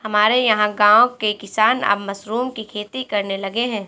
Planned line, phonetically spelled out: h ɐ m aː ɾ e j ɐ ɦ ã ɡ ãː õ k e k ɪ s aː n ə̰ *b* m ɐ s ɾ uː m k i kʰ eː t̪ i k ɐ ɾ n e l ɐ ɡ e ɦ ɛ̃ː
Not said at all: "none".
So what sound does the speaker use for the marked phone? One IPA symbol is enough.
b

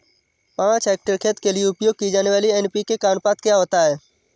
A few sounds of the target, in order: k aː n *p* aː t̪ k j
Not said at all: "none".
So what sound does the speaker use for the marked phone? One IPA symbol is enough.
p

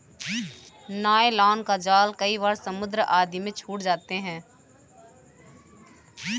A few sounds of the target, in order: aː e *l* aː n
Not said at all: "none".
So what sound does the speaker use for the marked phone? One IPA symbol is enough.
l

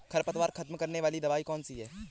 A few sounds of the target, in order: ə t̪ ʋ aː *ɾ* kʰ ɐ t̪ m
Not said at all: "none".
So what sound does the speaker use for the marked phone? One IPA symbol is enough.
ɾ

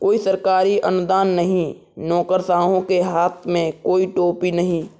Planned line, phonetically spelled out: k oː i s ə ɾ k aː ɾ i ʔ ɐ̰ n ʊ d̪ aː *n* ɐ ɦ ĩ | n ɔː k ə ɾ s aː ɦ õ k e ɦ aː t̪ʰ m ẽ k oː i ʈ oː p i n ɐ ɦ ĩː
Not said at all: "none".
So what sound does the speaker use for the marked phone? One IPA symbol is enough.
nː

